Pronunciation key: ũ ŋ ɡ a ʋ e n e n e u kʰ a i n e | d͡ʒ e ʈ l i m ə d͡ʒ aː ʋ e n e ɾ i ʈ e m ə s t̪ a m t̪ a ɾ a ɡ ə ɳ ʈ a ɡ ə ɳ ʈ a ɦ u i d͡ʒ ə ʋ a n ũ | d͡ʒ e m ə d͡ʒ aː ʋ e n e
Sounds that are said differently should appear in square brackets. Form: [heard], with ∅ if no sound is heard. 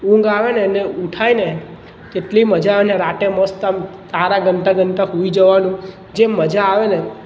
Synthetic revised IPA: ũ ŋ ɡ a ʋ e n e n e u [ʈʰ] a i n e | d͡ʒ e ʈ l i m ə d͡ʒ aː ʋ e n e ɾ [a] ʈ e m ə s t̪ a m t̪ a ɾ a ɡ ə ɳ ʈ a ɡ ə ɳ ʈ a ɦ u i d͡ʒ ə ʋ a n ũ | d͡ʒ e m ə d͡ʒ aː ʋ e n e